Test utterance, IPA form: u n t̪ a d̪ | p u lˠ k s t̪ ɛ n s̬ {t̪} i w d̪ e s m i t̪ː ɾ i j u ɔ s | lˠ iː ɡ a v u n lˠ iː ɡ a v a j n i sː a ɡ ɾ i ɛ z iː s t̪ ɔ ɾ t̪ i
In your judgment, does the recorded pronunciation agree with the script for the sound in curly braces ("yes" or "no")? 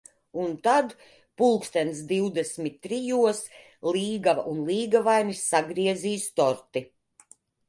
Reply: no